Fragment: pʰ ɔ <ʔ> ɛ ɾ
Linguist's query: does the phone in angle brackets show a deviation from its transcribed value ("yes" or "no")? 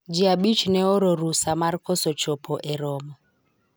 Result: no